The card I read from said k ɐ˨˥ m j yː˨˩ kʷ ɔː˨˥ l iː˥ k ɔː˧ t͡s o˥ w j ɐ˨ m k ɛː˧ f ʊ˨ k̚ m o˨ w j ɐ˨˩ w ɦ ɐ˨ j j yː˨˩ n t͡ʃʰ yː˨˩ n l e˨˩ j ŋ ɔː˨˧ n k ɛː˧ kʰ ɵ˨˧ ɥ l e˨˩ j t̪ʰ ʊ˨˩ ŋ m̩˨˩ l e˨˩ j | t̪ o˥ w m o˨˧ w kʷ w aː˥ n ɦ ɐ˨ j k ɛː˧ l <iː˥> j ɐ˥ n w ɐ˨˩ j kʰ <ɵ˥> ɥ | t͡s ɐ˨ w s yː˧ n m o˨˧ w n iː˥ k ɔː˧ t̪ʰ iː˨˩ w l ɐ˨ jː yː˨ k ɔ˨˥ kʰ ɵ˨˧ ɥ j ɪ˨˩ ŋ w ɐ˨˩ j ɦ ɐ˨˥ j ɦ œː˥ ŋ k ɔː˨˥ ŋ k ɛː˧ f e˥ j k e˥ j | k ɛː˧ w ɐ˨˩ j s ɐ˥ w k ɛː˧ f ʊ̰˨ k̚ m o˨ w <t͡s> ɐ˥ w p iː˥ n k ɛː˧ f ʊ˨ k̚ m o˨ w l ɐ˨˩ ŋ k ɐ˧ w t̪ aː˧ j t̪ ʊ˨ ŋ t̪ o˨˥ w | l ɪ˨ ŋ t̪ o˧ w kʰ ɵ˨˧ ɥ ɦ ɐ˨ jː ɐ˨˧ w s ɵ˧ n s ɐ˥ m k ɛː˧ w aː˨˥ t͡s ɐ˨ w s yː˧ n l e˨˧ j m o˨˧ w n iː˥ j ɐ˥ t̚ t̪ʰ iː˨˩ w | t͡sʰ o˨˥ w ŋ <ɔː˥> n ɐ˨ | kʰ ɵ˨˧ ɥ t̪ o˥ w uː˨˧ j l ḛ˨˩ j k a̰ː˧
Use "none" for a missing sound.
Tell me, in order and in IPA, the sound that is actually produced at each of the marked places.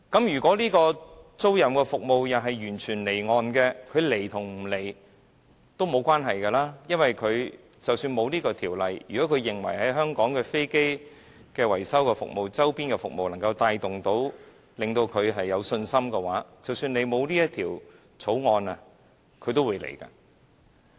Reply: aː˥, ɵ˨˧, t͡s, ɔː˧

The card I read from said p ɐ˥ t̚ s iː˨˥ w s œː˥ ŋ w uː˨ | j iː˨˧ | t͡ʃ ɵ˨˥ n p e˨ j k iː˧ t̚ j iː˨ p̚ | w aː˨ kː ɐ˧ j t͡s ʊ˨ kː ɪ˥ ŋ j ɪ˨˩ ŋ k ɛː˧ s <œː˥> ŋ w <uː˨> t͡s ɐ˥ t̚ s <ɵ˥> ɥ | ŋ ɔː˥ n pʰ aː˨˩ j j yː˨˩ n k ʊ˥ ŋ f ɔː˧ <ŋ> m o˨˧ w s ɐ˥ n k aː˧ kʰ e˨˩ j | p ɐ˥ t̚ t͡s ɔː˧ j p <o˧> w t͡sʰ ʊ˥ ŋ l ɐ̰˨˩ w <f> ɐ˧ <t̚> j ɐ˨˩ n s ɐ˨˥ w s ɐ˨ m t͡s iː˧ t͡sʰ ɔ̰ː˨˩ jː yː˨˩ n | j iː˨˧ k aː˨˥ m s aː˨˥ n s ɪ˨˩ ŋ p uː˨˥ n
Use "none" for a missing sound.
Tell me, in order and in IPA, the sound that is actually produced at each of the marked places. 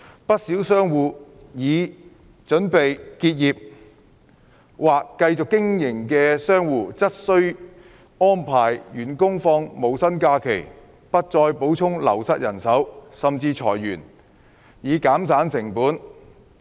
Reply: œː˥, uː˨, ɵ˥, ŋ, o˨˥, s, t̚

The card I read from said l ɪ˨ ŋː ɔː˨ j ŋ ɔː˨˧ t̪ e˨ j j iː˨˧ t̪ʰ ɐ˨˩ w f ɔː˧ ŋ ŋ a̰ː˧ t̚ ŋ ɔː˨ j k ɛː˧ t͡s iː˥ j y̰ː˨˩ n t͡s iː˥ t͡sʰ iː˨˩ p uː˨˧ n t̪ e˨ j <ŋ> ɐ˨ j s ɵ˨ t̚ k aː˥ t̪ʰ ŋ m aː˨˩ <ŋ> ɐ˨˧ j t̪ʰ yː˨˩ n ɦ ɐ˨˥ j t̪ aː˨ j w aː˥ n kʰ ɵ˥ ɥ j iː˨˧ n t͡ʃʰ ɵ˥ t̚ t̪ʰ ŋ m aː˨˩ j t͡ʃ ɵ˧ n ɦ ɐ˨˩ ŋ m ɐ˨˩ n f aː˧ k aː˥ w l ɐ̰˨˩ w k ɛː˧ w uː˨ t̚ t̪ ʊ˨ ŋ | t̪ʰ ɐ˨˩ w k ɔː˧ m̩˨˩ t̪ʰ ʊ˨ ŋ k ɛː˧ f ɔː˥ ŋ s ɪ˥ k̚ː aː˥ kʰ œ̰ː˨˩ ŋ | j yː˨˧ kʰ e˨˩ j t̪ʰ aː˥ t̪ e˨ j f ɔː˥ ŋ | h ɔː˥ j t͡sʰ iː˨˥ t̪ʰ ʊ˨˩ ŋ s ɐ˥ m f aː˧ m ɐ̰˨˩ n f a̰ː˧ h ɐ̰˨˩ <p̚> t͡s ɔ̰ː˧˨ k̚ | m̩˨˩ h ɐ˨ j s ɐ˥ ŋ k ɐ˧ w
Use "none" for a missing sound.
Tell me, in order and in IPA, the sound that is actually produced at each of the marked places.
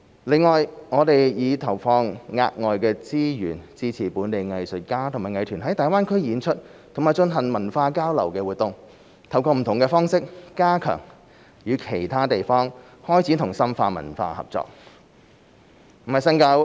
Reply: ŋ, ŋ, p̚

